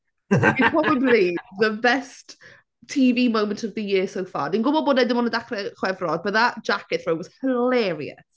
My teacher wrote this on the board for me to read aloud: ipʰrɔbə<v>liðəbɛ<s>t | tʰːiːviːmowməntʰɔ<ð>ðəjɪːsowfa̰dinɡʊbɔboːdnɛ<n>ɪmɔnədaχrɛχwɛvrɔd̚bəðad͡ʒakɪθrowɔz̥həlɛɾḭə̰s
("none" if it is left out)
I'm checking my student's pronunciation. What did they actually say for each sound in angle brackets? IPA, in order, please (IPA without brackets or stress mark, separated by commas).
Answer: b, s, v, d